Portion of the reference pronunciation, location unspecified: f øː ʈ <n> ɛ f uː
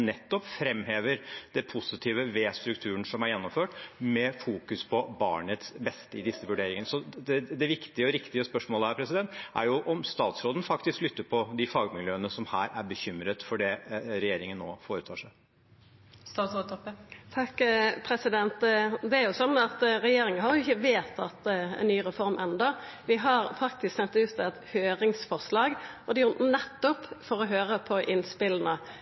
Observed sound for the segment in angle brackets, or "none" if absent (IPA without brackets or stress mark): m